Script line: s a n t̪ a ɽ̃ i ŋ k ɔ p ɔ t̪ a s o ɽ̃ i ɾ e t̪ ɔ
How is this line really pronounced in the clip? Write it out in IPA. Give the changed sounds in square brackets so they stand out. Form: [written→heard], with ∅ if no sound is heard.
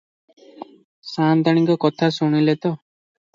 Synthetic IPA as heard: s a n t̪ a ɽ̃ i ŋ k ɔ [p→k] ɔ [t̪→t̪ʰ] a s [o→u] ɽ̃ i [ɾ→l] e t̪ ɔ